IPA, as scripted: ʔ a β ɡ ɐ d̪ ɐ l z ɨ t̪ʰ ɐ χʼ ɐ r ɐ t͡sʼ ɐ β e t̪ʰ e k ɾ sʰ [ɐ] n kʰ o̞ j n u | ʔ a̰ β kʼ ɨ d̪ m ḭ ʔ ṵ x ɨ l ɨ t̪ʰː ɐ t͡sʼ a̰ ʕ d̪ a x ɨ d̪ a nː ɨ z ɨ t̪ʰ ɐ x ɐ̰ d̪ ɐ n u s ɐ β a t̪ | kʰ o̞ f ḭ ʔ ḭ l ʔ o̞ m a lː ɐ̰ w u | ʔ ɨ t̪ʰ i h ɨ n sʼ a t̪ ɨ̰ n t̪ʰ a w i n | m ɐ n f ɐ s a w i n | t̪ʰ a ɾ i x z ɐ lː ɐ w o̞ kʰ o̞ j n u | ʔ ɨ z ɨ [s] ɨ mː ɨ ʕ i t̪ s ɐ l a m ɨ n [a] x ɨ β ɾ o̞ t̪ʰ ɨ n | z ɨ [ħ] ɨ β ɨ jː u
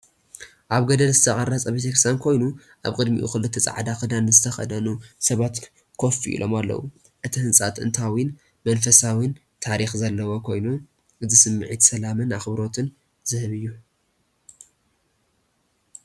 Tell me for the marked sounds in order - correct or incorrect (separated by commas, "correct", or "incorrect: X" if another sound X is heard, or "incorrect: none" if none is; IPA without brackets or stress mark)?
incorrect: a, correct, correct, incorrect: h